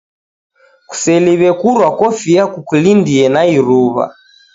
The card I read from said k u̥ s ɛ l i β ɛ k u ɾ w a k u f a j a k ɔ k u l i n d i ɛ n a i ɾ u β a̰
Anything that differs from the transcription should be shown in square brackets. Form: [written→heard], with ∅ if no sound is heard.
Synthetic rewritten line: k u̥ s ɛ l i β ɛ k u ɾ w a k [u→ɔ] f [a→i] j a k [ɔ→u] k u l i n d i ɛ n a i ɾ u β a̰